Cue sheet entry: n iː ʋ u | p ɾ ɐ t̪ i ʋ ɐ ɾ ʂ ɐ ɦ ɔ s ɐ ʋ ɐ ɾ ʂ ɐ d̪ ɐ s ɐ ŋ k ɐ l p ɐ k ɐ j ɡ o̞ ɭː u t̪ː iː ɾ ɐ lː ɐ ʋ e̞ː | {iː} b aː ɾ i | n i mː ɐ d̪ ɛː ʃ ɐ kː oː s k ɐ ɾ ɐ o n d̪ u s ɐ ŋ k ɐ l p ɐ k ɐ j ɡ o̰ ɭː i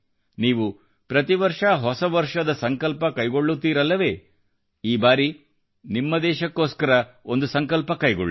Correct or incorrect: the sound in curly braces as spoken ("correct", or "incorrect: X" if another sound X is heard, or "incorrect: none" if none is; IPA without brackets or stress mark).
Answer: correct